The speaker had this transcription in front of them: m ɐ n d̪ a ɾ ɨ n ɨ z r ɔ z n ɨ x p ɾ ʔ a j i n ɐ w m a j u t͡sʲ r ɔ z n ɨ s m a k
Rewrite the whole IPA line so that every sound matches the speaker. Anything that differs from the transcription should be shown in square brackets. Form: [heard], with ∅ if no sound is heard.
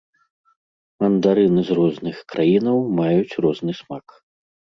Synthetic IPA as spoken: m ɐ n d̪ a ɾ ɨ n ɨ z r ɔ z n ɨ x [k] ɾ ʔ a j i n ɐ w m a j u t͡sʲ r ɔ z n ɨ s m a k